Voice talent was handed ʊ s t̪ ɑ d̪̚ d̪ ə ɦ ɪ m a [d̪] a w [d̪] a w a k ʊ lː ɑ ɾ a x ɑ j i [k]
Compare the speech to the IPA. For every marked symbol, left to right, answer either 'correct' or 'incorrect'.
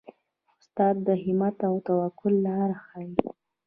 incorrect: t̪, incorrect: t̪, incorrect: none

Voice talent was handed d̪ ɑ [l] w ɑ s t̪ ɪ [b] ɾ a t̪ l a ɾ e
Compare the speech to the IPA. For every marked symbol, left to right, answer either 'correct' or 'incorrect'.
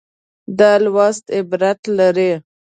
correct, correct

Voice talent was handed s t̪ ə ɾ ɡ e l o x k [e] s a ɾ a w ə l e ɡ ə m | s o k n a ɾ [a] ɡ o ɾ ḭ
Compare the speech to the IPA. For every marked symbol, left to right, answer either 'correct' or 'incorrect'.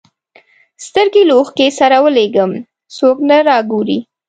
correct, incorrect: ɑ

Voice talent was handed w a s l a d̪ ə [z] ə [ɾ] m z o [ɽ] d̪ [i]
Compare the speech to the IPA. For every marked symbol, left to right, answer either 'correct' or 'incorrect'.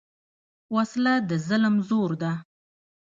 correct, incorrect: l, incorrect: ɾ, incorrect: a

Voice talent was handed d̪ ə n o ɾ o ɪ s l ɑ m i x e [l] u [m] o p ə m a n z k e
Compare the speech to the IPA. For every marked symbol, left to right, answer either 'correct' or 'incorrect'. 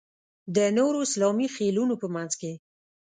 correct, incorrect: n

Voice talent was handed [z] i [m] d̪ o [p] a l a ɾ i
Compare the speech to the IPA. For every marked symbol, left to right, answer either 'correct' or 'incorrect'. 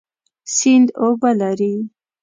incorrect: s, incorrect: n, incorrect: b

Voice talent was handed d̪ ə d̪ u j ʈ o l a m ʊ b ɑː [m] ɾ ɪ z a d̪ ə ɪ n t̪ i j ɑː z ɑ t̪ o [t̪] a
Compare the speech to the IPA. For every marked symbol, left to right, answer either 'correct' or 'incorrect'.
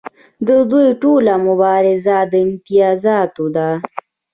incorrect: none, incorrect: d̪

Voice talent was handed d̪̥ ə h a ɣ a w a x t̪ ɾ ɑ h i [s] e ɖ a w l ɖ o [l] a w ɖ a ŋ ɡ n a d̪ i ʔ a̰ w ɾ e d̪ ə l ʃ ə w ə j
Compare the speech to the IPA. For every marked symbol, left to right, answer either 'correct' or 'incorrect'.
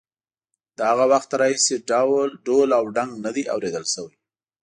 correct, correct

